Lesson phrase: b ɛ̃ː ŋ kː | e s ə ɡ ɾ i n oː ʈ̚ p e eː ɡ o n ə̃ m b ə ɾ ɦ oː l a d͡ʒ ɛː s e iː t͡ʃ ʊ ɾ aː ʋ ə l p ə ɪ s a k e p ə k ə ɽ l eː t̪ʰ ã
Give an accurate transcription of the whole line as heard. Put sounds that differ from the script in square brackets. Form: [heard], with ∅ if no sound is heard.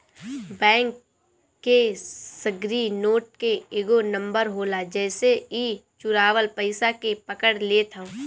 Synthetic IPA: b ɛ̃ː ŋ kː | e s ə ɡ ɾ i n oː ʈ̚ [k] e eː ɡ o n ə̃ m b ə ɾ ɦ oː l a d͡ʒ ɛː s e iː t͡ʃ ʊ ɾ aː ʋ ə l p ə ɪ s a k e p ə k ə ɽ l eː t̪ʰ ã